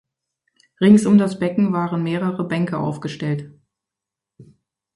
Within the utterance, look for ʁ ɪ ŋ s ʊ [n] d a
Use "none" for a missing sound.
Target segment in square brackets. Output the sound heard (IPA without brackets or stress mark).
m